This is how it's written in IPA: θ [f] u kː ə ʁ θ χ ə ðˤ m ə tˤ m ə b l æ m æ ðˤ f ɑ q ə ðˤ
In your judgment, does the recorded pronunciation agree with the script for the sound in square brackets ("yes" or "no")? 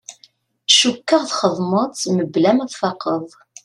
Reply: no